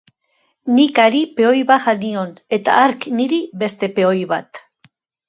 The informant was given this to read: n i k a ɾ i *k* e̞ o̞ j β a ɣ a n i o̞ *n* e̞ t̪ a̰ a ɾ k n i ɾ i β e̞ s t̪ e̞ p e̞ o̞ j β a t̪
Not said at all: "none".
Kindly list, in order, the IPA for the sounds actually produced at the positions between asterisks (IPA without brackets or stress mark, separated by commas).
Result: p, n